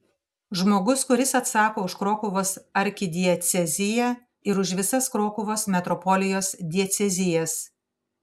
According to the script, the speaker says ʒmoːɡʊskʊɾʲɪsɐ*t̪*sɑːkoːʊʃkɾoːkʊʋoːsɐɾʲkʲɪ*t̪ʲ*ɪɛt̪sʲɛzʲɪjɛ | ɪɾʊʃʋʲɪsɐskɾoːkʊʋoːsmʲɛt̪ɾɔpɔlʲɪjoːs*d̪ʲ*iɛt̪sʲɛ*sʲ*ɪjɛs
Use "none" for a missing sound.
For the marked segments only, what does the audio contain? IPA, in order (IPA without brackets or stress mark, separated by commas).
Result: t̪, d̪ʲ, d̪ʲ, zʲ